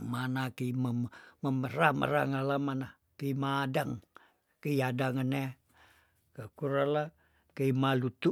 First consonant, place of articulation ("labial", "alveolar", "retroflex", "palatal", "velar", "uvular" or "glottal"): labial